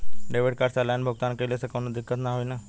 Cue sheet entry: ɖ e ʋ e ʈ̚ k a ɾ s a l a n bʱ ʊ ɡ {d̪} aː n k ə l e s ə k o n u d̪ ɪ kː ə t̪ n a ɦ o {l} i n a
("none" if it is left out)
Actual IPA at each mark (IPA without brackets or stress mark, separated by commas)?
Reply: t̪, none